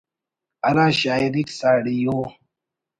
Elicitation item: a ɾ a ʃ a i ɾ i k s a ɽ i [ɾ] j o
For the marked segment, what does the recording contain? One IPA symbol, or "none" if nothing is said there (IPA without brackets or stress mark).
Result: none